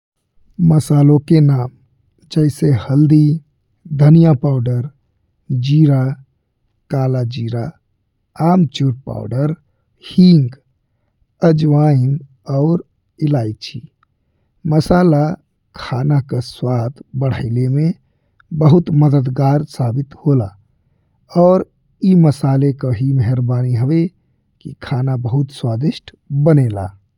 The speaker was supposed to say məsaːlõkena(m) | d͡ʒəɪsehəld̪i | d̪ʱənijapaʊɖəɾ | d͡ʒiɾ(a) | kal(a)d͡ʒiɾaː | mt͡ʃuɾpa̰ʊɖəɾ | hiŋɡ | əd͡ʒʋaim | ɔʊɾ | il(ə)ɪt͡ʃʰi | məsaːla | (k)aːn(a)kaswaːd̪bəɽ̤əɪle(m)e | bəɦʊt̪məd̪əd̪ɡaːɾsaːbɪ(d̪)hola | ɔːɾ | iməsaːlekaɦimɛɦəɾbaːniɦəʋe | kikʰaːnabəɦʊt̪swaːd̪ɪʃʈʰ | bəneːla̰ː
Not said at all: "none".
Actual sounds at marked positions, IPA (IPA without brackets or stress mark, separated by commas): m, a, a, a, kʰ, a, m, t̪